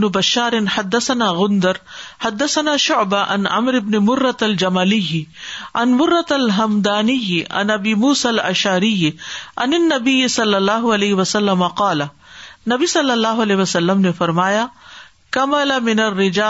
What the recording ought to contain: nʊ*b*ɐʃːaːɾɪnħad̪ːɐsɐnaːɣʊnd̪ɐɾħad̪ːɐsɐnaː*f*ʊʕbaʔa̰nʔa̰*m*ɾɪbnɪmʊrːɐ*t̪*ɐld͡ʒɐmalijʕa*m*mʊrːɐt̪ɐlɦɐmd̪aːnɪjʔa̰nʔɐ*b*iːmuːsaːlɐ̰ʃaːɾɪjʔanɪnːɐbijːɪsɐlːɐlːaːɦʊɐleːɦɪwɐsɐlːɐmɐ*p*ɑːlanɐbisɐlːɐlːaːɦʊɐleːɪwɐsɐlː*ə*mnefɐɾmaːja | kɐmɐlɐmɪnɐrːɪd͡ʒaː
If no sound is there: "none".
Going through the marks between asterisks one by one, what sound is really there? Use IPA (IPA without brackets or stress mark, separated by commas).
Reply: b, ʃ, m, t̪, n, b, q, ɐ